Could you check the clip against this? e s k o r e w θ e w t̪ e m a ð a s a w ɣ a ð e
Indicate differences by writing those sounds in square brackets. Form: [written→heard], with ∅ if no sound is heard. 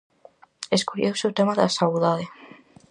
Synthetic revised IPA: e s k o [r→ʎ] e w [θ→s] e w t̪ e m a ð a s a w [ɣ→ð] a ð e